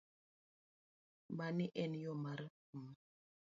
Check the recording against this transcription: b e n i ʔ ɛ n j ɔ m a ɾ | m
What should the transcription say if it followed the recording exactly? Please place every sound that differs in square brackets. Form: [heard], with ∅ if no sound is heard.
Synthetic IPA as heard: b [a] n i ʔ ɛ n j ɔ m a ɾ | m